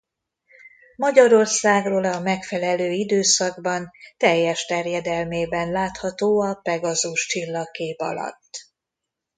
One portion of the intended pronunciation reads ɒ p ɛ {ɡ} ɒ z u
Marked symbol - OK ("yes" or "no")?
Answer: yes